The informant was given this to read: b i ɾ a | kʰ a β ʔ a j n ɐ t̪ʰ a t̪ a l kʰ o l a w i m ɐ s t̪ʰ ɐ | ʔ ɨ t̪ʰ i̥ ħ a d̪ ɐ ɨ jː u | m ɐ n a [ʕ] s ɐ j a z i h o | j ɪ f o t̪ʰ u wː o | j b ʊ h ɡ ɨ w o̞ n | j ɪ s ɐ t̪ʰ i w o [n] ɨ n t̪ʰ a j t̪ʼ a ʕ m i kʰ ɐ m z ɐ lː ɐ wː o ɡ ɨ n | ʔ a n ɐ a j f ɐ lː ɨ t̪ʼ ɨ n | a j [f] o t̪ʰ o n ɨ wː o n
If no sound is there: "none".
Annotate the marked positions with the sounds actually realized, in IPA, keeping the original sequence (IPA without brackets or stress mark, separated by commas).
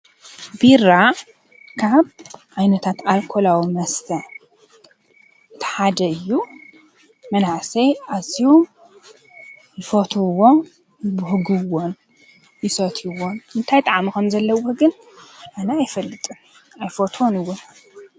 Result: ʕ, n, f